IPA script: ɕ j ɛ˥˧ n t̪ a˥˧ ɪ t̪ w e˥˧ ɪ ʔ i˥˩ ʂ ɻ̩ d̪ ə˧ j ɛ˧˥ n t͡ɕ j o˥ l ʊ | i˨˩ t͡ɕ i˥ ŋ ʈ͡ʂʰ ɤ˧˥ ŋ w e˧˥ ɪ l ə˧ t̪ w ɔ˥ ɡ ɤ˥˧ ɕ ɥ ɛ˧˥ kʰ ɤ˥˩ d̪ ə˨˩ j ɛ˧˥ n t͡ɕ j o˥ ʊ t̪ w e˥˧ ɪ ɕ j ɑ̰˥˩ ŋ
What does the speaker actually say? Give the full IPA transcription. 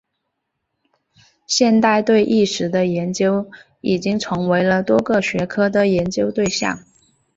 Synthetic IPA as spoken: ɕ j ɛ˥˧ n t̪ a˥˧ ɪ t̪ w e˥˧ ɪ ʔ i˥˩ ʂ ɻ̩ d̪ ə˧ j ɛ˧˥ n t͡ɕ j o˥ ʊ | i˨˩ t͡ɕ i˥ ŋ ʈ͡ʂʰ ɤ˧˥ ŋ w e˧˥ ɪ l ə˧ t̪ w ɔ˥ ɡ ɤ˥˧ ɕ ɥ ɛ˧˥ kʰ ɤ˥ d̪ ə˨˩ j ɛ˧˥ n t͡ɕ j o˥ ʊ t̪ w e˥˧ ɪ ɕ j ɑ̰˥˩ ŋ

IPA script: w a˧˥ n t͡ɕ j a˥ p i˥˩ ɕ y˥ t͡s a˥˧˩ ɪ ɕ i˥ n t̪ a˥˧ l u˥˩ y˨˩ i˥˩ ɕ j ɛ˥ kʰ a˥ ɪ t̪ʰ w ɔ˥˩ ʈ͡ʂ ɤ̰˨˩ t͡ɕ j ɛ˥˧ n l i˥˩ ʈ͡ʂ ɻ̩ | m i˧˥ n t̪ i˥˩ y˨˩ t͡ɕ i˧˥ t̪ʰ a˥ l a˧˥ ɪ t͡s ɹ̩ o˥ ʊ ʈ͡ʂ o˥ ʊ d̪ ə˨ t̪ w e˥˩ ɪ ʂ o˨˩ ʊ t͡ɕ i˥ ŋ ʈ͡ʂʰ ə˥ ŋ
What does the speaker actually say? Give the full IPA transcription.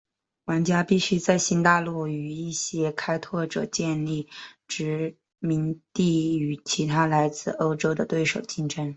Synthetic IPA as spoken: w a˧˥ n t͡ɕ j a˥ p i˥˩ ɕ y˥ t͡s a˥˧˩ ɪ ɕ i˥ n t̪ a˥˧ l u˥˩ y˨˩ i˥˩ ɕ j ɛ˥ kʰ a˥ ɪ t̪ʰ w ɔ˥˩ ʈ͡ʂ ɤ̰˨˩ t͡ɕ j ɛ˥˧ n l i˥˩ ʈ͡ʂ ɻ̩ | m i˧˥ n t̪ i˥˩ y˨˩ t͡ɕʰ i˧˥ t̪ʰ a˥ l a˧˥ ɪ t͡s ɹ̩ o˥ ʊ ʈ͡ʂ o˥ ʊ d̪ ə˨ t̪ w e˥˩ ɪ ʂ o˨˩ ʊ t͡ɕ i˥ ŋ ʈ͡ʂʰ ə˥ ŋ

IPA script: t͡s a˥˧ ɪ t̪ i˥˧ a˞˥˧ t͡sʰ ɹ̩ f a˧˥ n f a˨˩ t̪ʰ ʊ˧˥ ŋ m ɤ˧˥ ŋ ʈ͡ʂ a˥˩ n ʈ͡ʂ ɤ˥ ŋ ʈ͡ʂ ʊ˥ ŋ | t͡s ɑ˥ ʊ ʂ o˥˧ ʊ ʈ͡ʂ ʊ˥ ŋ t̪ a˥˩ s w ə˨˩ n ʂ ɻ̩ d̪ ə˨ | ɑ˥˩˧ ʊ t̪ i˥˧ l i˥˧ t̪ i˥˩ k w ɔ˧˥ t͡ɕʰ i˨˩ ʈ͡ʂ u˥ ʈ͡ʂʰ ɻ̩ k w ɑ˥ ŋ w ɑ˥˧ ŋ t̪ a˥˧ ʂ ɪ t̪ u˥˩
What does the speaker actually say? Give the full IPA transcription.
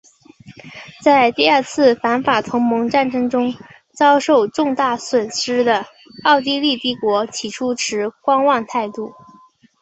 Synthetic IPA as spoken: t͡s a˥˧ ɪ t̪ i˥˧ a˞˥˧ t͡sʰ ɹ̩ f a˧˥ n f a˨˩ t̪ʰ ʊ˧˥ ŋ m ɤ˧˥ ŋ ʈ͡ʂ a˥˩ n ʈ͡ʂ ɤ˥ ŋ ʈ͡ʂ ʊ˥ ŋ | t͡s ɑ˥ ʊ ʂ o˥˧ ʊ ʈ͡ʂ ʊ˥˧ ŋ t̪ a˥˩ s w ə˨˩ n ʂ ɻ̩ d̪ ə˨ | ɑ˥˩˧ ʊ t̪ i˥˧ l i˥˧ t̪ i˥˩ k w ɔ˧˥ t͡ɕʰ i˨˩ ʈ͡ʂʰ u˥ ʈ͡ʂʰ ɻ̩ k w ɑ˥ ŋ w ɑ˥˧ ŋ t̪ʰ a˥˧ ɪ t̪ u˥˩

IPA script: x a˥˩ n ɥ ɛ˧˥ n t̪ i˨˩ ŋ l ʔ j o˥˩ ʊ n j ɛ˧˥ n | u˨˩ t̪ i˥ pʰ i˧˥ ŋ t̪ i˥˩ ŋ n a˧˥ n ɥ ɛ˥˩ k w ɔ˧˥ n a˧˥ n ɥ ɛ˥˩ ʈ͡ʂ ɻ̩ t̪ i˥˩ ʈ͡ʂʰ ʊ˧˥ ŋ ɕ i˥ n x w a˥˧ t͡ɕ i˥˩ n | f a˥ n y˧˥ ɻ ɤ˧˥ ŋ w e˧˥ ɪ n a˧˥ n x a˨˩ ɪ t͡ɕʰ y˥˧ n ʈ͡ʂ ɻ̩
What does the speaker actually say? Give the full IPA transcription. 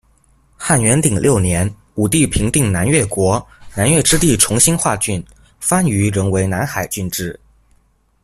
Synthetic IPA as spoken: x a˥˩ n ɥ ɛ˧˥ n t̪ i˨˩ ŋ l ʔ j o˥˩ ʊ n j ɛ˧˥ n | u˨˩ t̪ i˥˩ pʰ i˧˥ ŋ t̪ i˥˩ ŋ n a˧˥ n ɥ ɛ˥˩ k w ɔ˧˥ n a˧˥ n ɥ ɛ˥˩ ʈ͡ʂ ɻ̩ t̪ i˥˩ ʈ͡ʂʰ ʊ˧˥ ŋ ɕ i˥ n x w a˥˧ t͡ɕ y˥˩ n | f a˥ n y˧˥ ɻ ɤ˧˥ ŋ w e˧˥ ɪ n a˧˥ n x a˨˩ ɪ t͡ɕ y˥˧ n ʈ͡ʂ ɻ̩

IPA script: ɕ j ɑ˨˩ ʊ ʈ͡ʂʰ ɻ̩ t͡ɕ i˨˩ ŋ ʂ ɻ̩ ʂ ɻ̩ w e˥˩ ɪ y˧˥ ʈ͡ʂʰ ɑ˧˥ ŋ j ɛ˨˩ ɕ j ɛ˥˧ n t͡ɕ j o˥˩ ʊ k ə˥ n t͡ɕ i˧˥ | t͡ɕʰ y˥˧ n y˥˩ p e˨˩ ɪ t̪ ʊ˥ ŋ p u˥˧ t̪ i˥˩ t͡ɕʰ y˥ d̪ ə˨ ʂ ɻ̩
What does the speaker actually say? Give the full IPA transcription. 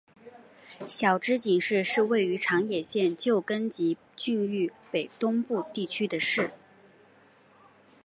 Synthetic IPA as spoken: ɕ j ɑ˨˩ ʊ ʈ͡ʂ ɻ̩ t͡ɕ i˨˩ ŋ ʂ ɻ̩ ʂ ɻ̩ w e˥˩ ɪ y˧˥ ʈ͡ʂʰ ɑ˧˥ ŋ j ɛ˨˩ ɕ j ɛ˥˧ n t͡ɕ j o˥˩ ʊ k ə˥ n t͡ɕ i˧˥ | t͡ɕ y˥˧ n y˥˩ p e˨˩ ɪ t̪ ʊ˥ ŋ p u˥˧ t̪ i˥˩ t͡ɕʰ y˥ d̪ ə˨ ʂ ɻ̩

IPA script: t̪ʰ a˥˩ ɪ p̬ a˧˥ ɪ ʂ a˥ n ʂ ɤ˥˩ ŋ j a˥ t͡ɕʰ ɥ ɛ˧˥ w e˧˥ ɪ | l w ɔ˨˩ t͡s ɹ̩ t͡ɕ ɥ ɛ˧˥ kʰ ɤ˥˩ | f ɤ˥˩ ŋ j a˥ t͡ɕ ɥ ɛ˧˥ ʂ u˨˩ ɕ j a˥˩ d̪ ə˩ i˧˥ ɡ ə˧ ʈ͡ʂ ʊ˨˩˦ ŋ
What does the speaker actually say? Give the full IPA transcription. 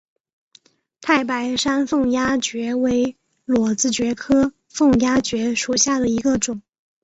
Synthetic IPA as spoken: t̪ʰ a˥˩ ɪ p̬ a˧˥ ɪ ʂ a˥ n f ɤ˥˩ ŋ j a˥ t͡ɕ ɥ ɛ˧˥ w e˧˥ ɪ | l w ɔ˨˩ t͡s ɹ̩ t͡ɕ ɥ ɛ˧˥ kʰ ɤ˥ | f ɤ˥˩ ŋ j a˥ t͡ɕ ɥ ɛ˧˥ ʂ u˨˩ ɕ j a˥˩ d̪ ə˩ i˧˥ ɡ ə˧ ʈ͡ʂ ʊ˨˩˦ ŋ

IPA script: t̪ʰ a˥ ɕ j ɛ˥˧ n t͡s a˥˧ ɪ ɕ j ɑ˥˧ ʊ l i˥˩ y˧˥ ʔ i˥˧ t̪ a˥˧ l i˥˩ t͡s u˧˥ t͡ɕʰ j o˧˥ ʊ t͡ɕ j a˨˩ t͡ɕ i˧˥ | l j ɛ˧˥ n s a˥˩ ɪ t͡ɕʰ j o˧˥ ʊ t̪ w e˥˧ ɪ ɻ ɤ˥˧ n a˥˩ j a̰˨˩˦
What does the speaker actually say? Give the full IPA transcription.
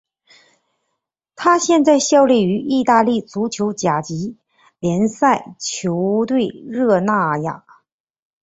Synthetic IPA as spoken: t̪ʰ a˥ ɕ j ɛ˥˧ n t͡s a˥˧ ɪ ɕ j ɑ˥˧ ʊ l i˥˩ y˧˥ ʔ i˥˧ t̪ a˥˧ l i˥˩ t͡s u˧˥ t͡ɕʰ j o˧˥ ʊ t͡ɕ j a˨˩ t͡ɕ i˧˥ | l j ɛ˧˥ n s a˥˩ ɪ t͡ɕʰ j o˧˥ ʊ t̪ w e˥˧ ɪ ɻ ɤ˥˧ n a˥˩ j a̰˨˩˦

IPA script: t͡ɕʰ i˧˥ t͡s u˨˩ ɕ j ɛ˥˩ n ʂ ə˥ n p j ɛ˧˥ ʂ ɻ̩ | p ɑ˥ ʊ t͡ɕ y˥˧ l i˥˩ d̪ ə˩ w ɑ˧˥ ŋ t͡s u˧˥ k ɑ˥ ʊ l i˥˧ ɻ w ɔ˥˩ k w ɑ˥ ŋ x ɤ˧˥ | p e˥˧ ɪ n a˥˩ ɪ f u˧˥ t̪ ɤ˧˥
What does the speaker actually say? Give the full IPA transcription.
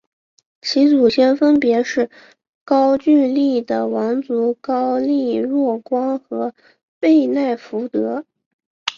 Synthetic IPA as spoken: t͡ɕʰ i˧˥ t͡s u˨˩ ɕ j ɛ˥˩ n f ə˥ n p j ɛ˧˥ ʂ ɻ̩ | k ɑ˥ ʊ t͡ɕ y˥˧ l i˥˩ d̪ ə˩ w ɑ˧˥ ŋ t͡s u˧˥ k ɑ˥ ʊ l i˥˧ ɻ w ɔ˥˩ k w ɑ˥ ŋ x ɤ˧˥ | p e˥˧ ɪ n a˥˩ ɪ f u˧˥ t̪ ɤ˧˥

